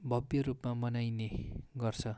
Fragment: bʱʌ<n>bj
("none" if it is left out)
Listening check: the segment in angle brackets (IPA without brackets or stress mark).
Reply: none